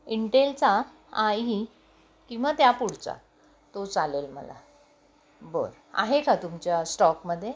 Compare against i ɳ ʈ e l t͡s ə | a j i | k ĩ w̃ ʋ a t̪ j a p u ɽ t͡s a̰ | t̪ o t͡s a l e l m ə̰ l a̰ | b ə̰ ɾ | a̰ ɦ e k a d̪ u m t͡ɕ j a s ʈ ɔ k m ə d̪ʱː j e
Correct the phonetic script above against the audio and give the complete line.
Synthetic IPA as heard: i ɳ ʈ e l t͡s a | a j i | k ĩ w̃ ʋ a t̪ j a p u ɽ t͡s a̰ | t̪ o t͡s a l e l m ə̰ l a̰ | b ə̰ ɾ | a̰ ɦ e k a t̪ u m t͡ɕ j a s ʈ ɔ k m ə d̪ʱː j e